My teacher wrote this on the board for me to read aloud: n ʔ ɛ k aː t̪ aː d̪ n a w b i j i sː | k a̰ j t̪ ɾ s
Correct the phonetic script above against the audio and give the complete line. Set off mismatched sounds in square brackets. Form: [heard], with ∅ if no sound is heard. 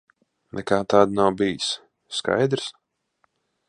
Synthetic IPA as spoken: n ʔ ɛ k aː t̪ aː d̪ n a w b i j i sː | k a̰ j [d̪] ɾ s